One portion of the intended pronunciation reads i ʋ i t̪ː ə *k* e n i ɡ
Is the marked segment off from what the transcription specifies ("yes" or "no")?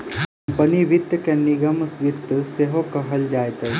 no